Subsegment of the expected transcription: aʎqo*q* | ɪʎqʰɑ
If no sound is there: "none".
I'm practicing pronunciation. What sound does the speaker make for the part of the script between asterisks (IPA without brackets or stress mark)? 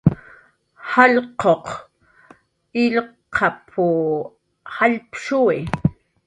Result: q